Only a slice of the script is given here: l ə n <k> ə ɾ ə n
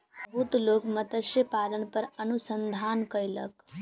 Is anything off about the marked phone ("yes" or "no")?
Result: yes